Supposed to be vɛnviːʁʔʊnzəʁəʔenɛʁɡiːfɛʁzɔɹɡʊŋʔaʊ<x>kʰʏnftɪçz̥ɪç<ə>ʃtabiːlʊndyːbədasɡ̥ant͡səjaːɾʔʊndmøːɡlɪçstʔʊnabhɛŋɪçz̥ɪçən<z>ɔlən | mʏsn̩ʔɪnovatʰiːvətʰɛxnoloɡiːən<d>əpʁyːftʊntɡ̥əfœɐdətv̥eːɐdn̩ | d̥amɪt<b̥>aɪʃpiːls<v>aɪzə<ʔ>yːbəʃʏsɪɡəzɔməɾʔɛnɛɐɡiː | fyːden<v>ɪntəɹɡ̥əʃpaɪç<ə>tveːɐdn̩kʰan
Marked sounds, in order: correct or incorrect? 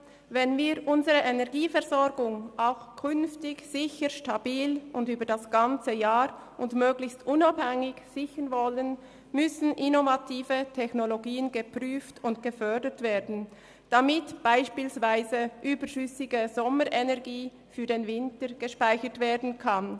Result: correct, correct, incorrect: v, incorrect: ɡ, correct, correct, correct, correct, correct

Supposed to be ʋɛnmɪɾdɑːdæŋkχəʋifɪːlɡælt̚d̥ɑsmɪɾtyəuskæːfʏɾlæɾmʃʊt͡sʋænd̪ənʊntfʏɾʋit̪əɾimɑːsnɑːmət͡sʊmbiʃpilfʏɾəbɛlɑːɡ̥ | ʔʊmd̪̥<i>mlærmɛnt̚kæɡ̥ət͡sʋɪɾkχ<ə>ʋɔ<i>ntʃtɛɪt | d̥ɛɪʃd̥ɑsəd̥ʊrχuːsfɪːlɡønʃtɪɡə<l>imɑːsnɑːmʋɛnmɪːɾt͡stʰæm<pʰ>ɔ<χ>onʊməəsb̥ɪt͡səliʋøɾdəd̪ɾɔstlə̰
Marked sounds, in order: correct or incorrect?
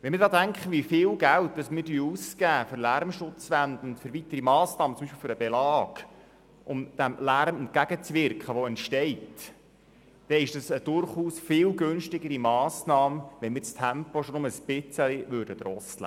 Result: incorrect: æ, correct, incorrect: ɛ, incorrect: ɾ, incorrect: p, incorrect: ʃ

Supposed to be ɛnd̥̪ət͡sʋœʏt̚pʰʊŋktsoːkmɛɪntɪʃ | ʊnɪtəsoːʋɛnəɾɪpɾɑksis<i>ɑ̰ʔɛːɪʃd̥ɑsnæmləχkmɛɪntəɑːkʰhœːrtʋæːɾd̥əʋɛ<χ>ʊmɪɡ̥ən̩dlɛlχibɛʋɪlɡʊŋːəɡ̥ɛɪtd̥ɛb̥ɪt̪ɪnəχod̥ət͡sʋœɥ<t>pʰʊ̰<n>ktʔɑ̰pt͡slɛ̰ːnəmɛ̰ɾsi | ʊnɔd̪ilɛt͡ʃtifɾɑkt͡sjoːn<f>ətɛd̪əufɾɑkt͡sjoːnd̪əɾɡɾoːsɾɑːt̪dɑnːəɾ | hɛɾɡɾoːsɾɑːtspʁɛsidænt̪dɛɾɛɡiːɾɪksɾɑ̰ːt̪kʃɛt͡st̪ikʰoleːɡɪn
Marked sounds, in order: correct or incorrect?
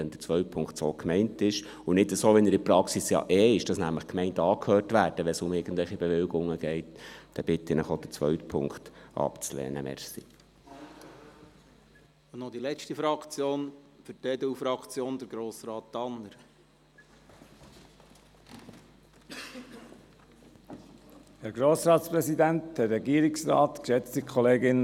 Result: incorrect: j, incorrect: s, correct, incorrect: ŋ, correct

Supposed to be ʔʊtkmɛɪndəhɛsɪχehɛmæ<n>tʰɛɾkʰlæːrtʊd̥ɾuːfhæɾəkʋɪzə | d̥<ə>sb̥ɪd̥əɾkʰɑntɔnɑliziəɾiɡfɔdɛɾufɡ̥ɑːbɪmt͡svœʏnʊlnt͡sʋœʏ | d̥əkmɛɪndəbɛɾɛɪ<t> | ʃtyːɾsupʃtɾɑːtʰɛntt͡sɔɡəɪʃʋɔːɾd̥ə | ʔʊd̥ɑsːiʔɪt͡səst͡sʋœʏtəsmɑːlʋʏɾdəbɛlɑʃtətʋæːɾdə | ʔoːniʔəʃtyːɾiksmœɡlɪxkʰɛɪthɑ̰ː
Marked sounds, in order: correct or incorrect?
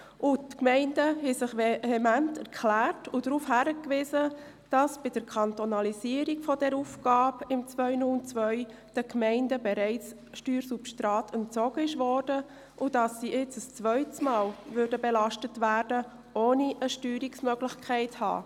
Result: correct, incorrect: ɑ, incorrect: t͡s

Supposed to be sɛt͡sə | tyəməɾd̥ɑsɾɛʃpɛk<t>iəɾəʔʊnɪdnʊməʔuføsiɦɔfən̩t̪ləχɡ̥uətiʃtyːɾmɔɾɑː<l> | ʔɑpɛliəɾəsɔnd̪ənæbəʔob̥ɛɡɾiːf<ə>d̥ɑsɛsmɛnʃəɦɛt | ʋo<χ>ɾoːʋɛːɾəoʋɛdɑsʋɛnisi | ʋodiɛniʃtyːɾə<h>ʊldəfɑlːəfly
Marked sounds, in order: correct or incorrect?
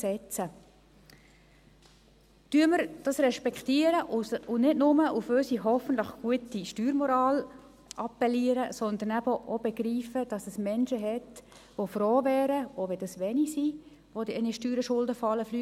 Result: correct, correct, correct, incorrect: f, incorrect: ʃ

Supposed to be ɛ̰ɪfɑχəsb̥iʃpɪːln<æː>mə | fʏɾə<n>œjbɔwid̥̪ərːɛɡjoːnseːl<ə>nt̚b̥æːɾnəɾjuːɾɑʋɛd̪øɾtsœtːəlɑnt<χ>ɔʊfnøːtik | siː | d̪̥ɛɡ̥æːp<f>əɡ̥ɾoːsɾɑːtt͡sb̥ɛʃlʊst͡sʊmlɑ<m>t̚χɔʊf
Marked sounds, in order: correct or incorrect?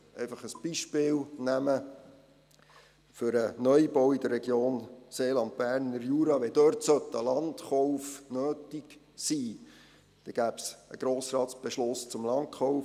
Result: incorrect: æ, correct, incorrect: ɑ, correct, incorrect: s, incorrect: n

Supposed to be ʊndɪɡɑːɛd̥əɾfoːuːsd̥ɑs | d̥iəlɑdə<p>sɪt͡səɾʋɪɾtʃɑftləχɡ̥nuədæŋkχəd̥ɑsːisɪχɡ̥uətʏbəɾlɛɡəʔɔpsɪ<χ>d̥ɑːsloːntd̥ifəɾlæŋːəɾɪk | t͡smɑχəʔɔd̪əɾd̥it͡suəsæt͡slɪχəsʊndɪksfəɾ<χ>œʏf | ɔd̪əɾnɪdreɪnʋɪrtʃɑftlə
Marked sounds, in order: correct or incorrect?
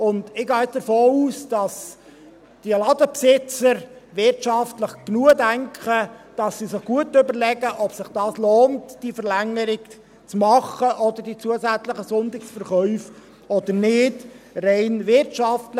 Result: correct, correct, correct

